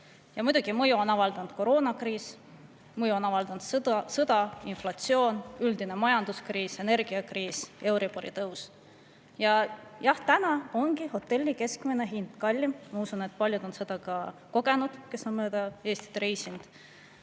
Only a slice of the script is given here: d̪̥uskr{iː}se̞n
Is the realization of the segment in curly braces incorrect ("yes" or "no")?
no